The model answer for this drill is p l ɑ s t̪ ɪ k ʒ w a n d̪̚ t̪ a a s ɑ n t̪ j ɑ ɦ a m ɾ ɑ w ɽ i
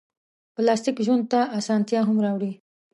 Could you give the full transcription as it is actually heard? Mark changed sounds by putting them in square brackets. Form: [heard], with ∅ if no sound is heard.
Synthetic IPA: p l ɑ s t̪ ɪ k ʒ w a n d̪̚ t̪ a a s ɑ n t̪ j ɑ ɦ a m ɾ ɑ w ɽ i